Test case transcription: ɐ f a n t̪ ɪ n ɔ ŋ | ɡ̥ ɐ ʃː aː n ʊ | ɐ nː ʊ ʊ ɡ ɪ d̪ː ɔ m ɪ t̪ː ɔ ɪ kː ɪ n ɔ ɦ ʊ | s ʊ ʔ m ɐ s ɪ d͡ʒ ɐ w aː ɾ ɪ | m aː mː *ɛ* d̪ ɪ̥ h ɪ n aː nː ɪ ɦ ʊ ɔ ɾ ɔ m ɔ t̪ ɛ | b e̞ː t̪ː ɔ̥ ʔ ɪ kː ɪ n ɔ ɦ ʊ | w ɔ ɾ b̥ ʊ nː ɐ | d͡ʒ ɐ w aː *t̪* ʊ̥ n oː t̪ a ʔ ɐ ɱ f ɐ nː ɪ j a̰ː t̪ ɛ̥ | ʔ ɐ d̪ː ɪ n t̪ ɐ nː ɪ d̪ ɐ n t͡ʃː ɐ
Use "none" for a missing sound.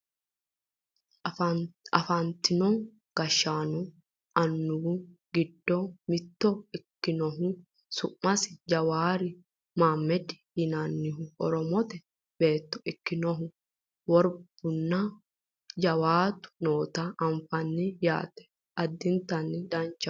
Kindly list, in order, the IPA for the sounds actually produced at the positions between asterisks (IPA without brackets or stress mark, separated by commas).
ɛ, t̪